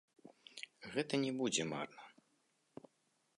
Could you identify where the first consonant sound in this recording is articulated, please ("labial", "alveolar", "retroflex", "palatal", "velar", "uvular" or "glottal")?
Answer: velar